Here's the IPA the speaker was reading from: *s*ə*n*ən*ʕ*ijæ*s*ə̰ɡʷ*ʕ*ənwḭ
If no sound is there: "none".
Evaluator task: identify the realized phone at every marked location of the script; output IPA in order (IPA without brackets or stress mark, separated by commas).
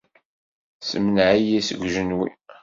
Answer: s, m, ʕ, s, ʒ